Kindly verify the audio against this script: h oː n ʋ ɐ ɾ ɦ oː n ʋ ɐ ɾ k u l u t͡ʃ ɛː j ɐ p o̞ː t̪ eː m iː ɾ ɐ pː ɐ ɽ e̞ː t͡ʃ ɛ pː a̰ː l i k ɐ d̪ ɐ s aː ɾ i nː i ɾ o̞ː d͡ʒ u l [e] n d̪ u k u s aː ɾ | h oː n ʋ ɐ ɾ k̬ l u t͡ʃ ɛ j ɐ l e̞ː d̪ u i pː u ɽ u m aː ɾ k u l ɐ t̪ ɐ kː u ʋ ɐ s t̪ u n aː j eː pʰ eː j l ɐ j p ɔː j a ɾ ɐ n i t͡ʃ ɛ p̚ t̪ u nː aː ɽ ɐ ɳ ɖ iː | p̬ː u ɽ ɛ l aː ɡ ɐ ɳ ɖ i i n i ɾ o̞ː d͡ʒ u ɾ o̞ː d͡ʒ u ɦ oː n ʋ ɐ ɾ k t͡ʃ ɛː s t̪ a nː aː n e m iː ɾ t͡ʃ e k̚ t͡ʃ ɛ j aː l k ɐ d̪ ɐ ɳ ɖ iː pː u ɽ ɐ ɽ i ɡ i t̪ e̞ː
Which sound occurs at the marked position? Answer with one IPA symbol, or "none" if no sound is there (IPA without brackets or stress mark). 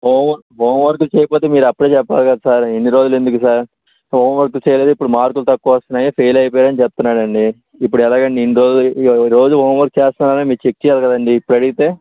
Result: e